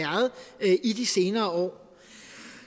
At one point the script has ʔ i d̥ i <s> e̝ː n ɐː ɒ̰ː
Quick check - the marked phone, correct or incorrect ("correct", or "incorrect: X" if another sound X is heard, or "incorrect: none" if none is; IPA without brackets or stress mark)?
correct